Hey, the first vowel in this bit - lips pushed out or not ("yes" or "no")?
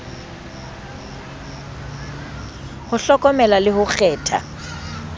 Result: yes